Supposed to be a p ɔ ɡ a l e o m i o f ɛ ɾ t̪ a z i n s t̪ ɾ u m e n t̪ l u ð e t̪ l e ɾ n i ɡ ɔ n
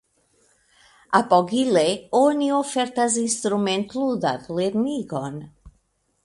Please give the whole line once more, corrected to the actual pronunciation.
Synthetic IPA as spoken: a p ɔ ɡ i l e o n i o f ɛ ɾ t̪ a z i n s t̪ ɾ u m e n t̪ l u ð a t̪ l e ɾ n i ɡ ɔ n